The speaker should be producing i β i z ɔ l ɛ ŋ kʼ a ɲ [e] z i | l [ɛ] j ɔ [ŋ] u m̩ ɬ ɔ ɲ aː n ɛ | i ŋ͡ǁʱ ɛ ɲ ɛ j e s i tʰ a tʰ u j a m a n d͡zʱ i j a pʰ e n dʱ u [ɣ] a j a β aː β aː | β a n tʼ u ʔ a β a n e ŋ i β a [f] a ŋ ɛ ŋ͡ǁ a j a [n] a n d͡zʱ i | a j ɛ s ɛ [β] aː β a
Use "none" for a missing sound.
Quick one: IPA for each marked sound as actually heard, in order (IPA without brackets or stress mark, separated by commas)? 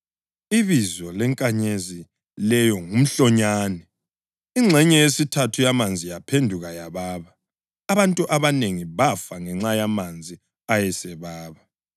e, ɛ, ŋ, ɣ, f, m, β